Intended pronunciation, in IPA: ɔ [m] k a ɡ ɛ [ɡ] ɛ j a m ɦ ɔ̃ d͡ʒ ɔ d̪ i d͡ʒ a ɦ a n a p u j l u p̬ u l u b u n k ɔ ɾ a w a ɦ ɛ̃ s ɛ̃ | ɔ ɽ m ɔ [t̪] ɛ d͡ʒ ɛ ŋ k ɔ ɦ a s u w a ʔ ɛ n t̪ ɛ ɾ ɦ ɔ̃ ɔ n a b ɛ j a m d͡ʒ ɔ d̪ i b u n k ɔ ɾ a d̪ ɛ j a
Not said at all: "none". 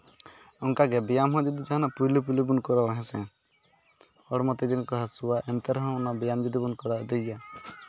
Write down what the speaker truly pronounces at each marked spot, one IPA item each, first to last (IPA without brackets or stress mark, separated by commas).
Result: ŋ, b, t̪